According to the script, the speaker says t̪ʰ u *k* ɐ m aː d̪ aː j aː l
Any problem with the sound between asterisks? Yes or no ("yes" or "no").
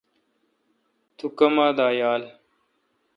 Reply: no